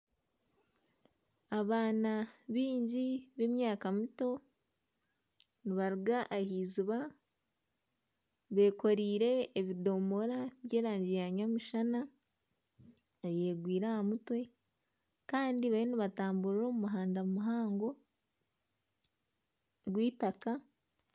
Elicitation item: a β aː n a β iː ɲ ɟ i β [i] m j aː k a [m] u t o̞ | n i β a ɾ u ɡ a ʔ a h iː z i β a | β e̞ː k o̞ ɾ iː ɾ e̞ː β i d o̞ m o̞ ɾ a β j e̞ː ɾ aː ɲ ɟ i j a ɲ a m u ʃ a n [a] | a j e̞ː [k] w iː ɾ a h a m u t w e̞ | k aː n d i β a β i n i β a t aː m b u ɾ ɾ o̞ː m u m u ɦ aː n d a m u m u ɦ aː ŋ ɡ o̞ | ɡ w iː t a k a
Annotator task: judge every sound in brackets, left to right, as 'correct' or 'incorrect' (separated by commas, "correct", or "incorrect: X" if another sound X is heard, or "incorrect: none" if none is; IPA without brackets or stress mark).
incorrect: e, correct, correct, incorrect: ɡ